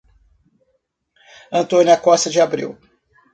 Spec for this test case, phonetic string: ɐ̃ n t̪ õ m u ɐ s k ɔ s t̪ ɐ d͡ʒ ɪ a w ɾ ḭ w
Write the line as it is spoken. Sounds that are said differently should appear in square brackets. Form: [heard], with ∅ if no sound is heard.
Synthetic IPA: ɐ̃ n t̪ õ [n] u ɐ [∅] k ɔ s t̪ ɐ d͡ʒ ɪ a [b] ɾ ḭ w